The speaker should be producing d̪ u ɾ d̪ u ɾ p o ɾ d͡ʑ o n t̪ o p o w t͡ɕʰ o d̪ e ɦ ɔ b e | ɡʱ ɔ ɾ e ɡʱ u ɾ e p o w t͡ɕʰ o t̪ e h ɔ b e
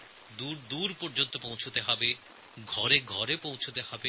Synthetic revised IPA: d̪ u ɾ d̪ u ɾ p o ɾ d͡ʑ o n t̪ o p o w t͡ɕʰ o t̪ e ɦ ɔ b e | ɡʱ ɔ ɾ e ɡʱ ɔ ɾ e p o w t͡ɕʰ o t̪ e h ɔ b e